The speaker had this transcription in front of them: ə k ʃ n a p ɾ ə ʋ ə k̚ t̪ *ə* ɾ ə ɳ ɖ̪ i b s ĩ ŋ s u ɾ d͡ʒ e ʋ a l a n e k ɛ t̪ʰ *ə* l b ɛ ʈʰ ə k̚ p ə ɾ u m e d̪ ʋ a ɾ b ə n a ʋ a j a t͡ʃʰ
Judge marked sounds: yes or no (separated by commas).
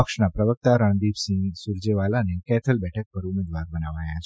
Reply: no, yes